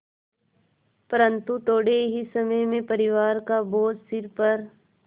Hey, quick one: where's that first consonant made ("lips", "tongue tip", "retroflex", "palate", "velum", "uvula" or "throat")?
lips